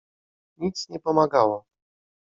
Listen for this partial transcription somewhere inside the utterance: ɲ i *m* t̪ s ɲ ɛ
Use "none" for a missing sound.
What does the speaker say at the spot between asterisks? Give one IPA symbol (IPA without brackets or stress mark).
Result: none